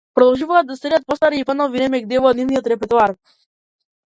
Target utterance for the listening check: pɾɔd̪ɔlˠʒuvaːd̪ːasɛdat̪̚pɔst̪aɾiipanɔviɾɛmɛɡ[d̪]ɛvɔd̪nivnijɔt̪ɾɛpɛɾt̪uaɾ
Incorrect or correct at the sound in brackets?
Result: correct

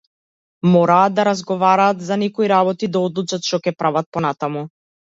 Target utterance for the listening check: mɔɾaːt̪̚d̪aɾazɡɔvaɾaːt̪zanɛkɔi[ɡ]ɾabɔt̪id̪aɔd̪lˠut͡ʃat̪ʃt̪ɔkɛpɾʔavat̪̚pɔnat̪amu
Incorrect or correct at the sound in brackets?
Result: incorrect: none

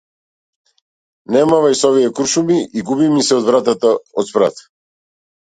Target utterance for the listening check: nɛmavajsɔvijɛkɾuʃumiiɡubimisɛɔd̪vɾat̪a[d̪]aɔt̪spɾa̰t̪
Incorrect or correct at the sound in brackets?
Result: incorrect: t̪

